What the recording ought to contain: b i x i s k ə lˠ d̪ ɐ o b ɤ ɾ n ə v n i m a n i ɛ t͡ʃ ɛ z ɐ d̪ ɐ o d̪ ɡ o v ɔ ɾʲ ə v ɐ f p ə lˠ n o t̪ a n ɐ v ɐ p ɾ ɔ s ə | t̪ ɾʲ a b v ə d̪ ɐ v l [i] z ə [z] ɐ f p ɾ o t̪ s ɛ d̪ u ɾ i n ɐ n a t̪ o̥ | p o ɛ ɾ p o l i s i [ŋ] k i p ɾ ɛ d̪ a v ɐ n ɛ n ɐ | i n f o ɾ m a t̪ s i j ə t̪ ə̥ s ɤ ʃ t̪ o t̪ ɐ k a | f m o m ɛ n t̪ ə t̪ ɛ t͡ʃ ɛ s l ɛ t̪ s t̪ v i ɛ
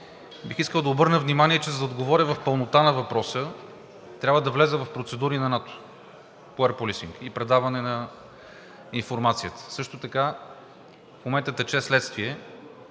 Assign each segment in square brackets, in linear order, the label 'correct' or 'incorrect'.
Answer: incorrect, incorrect, correct

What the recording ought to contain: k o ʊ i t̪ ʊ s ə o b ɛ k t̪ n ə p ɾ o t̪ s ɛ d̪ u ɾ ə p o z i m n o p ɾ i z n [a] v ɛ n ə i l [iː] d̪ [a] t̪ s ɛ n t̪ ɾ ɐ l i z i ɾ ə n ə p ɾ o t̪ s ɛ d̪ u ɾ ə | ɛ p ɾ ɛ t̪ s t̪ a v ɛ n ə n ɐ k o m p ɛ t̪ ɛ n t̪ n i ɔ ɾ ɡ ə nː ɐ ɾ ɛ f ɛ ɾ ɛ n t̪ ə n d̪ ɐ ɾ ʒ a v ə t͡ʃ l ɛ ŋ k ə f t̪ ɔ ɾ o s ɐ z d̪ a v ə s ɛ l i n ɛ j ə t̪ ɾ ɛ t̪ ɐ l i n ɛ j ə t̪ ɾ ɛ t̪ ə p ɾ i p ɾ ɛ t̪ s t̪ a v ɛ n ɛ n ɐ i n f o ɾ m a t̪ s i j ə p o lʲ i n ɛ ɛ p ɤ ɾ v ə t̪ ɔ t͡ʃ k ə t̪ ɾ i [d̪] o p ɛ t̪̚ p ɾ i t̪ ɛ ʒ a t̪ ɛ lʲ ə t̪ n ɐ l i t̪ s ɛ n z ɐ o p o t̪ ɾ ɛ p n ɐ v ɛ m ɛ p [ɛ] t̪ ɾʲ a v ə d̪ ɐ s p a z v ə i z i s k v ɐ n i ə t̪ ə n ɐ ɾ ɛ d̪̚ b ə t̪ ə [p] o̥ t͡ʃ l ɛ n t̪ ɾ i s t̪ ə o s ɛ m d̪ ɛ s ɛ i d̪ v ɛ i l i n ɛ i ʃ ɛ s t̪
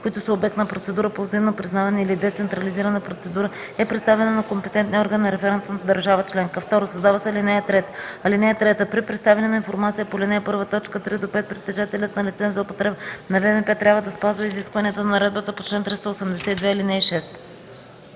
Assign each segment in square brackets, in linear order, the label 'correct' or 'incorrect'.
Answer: correct, incorrect, incorrect, correct, correct, correct

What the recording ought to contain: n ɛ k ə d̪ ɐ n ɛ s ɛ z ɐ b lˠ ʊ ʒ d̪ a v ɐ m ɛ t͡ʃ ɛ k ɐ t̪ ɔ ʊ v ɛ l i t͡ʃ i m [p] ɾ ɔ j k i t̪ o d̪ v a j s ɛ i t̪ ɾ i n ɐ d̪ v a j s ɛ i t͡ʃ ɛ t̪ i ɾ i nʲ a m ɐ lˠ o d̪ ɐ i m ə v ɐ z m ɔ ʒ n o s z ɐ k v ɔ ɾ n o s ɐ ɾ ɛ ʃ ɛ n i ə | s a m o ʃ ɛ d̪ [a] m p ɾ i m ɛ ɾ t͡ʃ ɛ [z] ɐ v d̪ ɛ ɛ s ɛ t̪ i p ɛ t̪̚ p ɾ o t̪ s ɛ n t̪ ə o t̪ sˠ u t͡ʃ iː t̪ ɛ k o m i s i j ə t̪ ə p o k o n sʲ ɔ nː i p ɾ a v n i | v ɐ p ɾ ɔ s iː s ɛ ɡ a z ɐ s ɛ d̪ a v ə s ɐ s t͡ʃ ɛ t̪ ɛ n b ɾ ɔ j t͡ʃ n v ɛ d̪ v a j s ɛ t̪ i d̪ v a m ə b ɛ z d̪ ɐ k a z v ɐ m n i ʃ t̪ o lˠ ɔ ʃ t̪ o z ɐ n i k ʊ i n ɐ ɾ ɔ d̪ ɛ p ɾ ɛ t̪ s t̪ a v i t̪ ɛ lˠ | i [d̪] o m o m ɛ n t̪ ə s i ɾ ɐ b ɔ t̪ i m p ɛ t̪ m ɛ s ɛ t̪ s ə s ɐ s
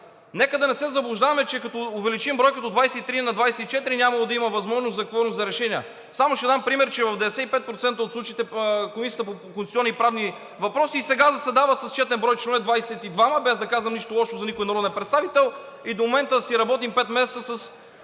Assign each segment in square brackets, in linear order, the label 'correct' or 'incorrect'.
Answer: incorrect, correct, incorrect, correct

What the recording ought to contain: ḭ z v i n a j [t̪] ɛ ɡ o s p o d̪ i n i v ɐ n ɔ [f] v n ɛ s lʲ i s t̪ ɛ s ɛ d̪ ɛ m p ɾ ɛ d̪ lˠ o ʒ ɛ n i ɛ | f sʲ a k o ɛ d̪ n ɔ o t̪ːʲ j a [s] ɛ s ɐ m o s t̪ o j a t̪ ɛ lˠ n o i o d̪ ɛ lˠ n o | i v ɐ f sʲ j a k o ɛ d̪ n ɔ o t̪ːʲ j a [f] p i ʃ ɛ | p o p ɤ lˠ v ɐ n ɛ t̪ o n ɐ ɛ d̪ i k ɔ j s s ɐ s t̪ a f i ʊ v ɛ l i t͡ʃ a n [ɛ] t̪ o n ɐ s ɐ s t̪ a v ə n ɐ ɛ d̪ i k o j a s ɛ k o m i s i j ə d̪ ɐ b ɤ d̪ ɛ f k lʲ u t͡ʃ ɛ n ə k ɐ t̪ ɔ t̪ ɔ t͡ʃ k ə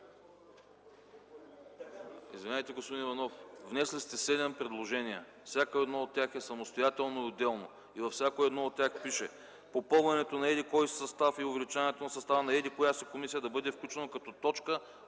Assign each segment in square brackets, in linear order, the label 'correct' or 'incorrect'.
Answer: correct, correct, incorrect, incorrect, correct

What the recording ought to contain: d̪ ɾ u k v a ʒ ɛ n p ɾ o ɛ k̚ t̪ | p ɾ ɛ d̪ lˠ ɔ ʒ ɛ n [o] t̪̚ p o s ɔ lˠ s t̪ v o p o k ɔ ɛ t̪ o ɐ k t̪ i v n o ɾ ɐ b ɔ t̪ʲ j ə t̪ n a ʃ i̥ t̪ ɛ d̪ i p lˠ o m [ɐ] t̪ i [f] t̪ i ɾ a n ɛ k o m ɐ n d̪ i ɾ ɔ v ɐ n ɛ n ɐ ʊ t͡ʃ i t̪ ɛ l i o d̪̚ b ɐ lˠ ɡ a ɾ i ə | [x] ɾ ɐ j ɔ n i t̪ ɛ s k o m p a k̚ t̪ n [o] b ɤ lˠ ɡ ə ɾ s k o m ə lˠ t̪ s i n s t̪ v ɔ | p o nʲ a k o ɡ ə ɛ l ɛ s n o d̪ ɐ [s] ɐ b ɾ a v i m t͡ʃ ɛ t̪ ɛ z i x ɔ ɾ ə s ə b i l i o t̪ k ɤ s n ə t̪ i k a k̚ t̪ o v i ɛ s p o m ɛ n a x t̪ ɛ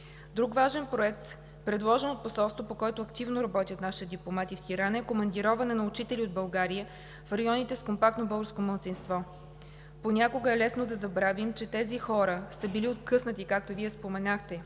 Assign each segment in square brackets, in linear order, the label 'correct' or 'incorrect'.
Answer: correct, incorrect, correct, incorrect, correct, incorrect

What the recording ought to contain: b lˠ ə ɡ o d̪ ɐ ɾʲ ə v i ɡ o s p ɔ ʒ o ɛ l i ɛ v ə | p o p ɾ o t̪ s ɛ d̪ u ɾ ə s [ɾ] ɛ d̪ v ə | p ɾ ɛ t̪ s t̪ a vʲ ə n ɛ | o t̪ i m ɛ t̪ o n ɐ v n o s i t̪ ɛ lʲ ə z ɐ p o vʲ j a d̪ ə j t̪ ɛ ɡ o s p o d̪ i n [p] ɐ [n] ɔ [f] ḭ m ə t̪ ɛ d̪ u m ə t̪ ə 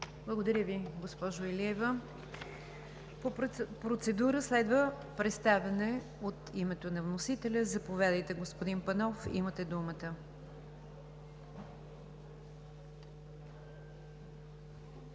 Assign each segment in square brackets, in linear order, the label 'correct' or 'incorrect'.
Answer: incorrect, correct, correct, correct

